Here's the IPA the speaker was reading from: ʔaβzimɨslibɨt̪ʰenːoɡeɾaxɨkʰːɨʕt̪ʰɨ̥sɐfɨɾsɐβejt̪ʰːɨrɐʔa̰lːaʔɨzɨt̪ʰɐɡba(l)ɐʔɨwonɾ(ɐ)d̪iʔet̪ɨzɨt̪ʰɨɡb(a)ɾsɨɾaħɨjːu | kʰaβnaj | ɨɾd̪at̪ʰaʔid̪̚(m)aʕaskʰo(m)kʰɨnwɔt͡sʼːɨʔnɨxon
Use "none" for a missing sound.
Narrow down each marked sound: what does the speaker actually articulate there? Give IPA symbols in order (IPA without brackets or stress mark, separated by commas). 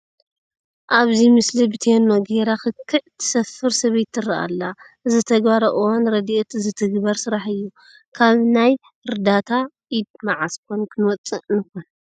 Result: ɾ, ɐ, ɐ, m, n